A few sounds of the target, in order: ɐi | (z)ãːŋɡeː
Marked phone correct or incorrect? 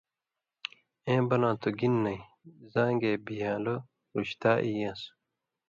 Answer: correct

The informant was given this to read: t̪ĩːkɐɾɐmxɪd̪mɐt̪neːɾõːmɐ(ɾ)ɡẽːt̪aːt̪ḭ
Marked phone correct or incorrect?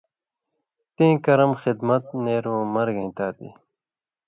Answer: correct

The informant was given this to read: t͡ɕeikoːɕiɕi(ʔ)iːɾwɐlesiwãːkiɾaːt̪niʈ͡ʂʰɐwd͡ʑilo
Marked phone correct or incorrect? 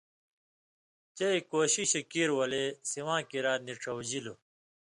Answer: incorrect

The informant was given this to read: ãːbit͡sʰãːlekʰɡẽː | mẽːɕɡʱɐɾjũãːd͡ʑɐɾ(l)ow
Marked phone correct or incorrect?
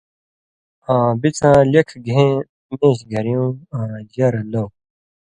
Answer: correct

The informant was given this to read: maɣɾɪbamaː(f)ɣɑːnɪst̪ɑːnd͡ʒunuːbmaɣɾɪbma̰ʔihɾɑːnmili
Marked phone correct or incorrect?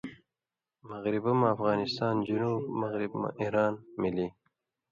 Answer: correct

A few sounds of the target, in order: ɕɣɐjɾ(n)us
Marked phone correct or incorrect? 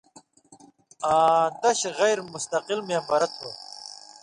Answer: incorrect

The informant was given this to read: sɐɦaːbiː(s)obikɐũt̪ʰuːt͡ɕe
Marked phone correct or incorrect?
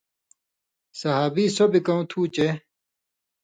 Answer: correct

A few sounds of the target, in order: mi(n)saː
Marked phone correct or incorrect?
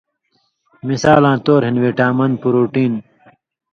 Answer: incorrect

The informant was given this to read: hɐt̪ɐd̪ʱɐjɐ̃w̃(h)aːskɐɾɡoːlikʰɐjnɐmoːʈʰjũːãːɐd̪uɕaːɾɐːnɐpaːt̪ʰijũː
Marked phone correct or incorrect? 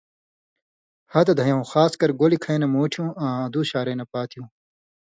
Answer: incorrect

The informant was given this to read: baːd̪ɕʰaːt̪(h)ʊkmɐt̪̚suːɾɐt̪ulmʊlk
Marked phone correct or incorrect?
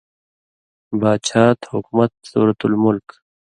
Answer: correct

